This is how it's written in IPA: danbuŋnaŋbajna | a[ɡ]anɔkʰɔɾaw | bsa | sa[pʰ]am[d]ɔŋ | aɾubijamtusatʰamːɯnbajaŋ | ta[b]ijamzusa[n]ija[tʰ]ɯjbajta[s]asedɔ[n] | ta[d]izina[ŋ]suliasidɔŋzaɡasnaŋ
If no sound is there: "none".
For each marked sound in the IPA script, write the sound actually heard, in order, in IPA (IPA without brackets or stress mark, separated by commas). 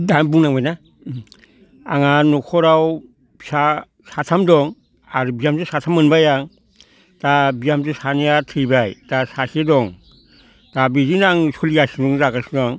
ŋ, tʰ, d, b, n, tʰ, s, ŋ, b, ŋ